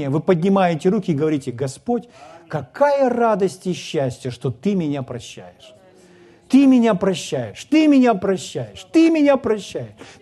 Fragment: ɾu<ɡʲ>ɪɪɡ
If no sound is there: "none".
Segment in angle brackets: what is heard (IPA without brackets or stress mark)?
kʲ